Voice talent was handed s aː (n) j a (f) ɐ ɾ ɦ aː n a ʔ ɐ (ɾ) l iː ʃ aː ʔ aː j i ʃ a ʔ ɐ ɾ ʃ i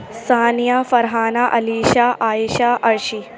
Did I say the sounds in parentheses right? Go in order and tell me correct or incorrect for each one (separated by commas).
correct, correct, incorrect